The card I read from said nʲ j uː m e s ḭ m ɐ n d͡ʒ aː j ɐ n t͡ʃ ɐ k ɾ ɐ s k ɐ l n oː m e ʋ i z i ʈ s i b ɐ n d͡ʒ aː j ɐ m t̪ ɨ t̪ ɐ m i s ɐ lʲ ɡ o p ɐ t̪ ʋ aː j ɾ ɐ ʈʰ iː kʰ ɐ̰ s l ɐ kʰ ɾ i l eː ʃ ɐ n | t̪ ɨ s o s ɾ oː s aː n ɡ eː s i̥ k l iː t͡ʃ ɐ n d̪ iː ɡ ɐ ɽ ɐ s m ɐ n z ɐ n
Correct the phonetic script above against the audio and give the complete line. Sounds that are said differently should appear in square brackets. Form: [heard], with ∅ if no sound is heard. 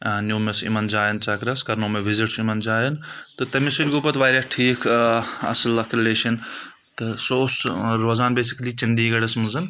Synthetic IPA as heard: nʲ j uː m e s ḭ m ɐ n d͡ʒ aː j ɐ n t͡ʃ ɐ k ɾ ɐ s k ɐ [ɾ] n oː m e ʋ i z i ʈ s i [m] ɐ n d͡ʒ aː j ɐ [n] t̪ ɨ t̪ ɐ m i s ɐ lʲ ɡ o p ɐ t̪ ʋ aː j ɾ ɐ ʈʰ iː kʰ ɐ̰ s l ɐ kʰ ɾ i l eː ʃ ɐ n | t̪ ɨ s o s ɾ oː [z] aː n [b] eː s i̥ k l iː t͡ʃ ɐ n d̪ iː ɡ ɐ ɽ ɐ s m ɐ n z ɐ n